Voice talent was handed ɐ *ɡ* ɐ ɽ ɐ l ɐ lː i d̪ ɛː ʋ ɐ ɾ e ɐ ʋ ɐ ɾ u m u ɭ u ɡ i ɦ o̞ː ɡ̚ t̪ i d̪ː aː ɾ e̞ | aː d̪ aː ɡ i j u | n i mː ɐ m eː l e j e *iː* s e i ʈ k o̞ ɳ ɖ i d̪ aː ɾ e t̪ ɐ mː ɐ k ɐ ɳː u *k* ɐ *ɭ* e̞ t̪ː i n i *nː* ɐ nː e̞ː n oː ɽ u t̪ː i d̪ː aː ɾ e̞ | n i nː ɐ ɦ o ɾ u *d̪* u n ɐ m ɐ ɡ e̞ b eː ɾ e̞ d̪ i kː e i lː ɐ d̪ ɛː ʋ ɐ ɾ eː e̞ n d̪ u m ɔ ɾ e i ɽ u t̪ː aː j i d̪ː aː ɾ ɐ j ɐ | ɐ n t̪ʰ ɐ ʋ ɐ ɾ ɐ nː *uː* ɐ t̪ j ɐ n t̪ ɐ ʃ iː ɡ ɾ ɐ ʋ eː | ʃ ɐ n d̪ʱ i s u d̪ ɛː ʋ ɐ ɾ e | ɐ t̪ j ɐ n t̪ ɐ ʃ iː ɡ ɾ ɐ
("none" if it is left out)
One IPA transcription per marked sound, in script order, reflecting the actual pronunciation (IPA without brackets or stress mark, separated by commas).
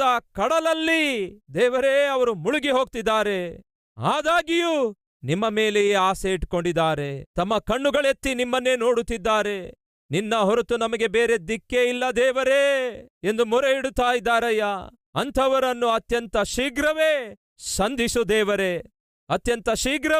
k, aː, ɡ, ɭ, mː, t̪, u